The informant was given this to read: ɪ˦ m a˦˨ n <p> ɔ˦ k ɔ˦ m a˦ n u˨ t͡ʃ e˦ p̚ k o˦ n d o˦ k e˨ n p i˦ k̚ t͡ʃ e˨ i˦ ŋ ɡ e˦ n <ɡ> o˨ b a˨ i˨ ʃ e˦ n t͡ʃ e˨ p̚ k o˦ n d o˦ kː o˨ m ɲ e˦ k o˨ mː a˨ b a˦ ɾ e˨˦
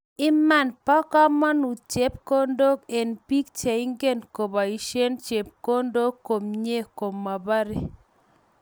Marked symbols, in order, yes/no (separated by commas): yes, no